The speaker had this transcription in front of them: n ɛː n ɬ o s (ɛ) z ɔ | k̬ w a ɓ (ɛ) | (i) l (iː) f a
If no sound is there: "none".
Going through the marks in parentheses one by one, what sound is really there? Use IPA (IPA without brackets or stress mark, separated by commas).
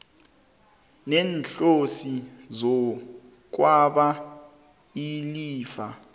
i, a, i, iː